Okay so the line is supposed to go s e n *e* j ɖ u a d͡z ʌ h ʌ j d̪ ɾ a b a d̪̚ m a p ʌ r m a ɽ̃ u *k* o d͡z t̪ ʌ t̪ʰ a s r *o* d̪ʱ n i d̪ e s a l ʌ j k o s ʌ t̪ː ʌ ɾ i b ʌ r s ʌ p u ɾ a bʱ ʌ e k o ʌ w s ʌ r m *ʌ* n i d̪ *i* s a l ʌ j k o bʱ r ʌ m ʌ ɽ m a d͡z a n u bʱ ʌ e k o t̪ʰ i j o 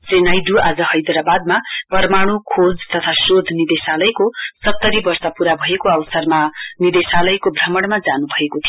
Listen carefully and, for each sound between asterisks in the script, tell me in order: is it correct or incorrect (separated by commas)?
incorrect, incorrect, correct, incorrect, incorrect